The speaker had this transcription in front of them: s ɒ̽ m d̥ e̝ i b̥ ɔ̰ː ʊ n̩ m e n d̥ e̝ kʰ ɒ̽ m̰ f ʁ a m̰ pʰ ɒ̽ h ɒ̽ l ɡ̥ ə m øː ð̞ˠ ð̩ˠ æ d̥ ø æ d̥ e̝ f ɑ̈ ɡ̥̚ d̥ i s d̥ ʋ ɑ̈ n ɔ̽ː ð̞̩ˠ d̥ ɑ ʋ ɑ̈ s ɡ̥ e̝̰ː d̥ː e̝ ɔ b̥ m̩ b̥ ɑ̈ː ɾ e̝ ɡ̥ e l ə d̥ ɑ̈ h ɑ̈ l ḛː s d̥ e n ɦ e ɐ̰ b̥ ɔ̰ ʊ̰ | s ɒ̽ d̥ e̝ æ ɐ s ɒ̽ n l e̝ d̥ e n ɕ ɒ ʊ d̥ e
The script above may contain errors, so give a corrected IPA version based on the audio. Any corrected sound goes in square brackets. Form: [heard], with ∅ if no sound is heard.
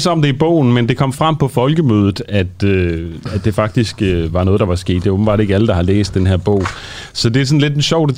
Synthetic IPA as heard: s ɒ̽ m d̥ e̝ i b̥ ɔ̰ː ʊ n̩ m e n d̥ e̝ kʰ ɒ̽ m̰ f ʁ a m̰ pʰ ɒ̽ [f] ɒ̽ l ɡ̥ ə m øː ð̞ˠ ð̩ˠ æ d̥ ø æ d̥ e̝ f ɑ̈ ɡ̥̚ d̥ i s [ɡ̥] ʋ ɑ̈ n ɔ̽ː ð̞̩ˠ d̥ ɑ ʋ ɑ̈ s ɡ̥ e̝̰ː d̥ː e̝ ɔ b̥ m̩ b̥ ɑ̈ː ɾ e̝ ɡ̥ [æ] l ə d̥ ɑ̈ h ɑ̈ l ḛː s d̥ e n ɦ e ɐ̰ b̥ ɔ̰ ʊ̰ | s ɒ̽ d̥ e̝ æ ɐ s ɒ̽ n l e̝ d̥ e n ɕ ɒ ʊ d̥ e